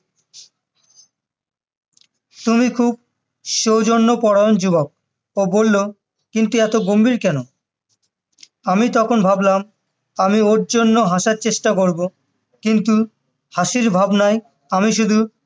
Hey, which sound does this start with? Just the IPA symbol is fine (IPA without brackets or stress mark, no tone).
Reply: t̪